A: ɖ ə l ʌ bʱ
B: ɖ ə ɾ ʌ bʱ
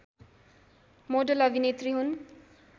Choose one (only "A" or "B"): A